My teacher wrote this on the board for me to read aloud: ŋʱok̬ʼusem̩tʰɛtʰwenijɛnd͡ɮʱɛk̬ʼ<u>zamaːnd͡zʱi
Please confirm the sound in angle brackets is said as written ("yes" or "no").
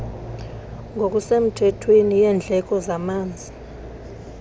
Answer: no